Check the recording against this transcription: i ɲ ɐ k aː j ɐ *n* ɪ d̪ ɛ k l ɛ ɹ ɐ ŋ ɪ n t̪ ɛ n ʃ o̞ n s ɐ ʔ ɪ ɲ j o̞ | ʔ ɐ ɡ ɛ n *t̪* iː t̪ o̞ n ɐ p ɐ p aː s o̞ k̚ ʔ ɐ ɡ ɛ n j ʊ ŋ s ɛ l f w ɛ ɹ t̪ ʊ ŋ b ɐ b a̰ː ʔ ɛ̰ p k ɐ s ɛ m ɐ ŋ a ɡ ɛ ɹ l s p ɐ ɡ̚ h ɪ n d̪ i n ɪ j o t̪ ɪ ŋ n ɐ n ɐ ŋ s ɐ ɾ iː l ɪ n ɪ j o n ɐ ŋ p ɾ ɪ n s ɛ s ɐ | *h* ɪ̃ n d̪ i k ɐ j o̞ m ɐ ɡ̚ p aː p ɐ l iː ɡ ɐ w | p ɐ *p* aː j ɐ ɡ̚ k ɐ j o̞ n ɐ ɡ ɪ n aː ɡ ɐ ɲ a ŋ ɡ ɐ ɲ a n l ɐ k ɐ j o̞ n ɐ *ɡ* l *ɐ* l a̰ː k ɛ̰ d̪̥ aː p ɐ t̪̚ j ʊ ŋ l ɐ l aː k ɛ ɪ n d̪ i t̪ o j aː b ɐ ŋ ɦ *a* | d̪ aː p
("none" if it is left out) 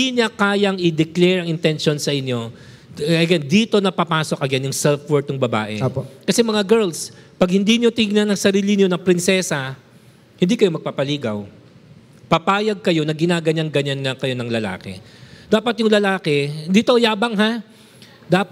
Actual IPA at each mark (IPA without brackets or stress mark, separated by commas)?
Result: ŋ, d̪, h, p, ŋ, ɐ, a